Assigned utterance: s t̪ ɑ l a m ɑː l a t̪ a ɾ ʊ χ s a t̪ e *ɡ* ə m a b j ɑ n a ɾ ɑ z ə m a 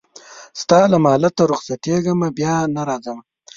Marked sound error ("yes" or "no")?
no